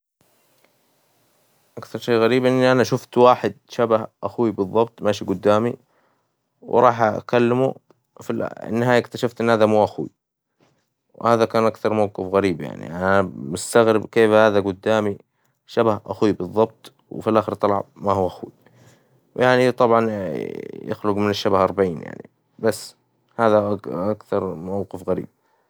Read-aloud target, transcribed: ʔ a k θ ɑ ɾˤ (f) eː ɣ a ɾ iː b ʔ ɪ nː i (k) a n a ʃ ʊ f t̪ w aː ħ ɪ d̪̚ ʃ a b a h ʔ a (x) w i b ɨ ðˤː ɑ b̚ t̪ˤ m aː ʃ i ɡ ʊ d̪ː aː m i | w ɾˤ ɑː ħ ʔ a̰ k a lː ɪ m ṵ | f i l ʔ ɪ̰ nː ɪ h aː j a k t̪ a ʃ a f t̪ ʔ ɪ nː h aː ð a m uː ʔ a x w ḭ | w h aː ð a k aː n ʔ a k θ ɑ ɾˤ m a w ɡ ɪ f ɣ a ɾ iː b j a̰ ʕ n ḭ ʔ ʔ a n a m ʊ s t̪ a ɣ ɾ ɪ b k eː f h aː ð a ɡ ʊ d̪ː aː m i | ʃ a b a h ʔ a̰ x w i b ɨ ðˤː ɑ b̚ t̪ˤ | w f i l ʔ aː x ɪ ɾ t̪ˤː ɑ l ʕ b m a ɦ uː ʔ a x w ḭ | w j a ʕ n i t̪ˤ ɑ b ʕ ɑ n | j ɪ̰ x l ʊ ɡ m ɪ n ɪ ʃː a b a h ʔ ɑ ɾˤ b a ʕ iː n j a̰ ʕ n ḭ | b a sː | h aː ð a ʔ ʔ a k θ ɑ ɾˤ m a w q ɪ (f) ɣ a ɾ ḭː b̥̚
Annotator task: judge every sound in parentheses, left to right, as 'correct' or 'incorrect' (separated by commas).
incorrect, incorrect, correct, correct